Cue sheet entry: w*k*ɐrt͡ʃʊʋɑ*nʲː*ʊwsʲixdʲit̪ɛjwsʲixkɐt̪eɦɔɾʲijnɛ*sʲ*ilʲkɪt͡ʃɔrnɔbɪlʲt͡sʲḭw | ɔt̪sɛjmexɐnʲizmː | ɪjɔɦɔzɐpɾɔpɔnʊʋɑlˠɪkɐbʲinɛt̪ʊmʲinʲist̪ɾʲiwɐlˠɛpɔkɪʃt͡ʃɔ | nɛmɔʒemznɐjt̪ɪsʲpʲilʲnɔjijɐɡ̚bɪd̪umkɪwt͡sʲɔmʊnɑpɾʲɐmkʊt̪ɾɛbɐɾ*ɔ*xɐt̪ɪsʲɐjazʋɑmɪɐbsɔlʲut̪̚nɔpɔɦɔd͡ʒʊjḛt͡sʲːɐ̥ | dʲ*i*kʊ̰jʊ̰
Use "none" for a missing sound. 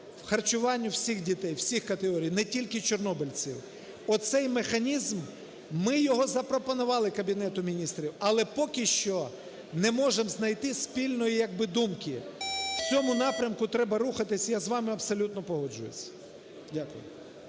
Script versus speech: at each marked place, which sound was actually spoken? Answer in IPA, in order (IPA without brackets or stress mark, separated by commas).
x, nʲː, tʲ, u, a